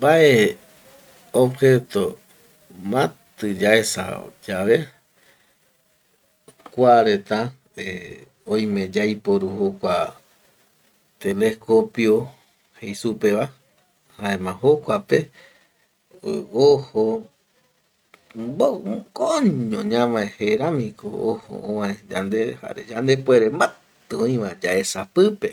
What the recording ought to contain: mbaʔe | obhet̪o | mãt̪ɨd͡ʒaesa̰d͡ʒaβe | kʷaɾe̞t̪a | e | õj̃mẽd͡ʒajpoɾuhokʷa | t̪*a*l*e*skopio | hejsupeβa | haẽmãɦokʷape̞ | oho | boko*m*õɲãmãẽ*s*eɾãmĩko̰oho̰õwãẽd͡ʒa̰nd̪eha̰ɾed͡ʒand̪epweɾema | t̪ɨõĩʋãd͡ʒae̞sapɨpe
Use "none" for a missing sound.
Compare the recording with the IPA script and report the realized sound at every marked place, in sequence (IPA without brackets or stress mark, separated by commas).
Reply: e, e, ɲ, h